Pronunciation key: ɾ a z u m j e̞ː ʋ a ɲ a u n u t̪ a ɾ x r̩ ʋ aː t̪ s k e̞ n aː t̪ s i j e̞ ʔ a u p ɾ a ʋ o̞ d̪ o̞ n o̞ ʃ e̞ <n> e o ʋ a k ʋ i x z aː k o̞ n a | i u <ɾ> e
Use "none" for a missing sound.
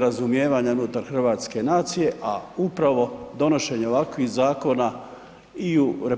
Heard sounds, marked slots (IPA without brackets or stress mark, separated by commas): ɲ, ɾ